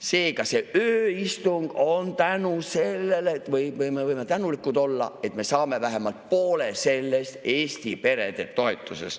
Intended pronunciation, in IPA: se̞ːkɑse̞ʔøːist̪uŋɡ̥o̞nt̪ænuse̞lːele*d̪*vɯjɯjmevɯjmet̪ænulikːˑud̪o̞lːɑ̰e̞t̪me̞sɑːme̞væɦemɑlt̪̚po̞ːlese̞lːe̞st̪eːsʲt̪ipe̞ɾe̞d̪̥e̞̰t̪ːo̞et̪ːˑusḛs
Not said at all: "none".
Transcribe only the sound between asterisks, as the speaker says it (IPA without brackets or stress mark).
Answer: t̪